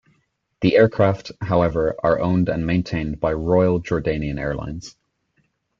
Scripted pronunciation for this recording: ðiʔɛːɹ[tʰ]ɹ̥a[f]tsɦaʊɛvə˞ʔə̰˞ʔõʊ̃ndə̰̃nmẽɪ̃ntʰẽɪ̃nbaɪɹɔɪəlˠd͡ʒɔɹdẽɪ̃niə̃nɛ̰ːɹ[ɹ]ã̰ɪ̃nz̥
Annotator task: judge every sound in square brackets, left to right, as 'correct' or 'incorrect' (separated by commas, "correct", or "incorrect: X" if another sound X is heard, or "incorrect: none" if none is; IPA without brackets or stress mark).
incorrect: kʰ, correct, incorrect: l